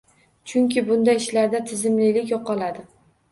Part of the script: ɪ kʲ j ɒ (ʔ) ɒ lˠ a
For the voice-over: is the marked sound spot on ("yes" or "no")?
no